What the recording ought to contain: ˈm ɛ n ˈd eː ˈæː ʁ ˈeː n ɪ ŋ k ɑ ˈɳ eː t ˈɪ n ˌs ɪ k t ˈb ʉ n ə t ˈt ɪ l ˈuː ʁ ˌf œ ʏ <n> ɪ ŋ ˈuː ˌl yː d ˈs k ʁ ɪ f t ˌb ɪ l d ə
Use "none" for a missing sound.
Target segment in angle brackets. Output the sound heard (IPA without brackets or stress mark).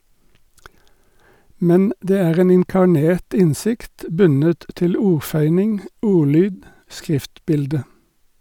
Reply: n